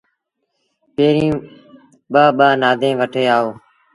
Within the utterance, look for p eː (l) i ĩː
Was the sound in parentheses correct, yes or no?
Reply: no